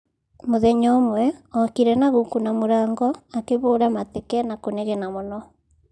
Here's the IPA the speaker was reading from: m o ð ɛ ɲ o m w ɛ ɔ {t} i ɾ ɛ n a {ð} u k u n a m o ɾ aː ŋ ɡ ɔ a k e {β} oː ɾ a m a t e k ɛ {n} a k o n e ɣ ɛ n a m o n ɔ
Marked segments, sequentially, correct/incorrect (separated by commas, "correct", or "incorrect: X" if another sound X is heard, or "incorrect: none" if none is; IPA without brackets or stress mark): incorrect: k, incorrect: ɣ, correct, correct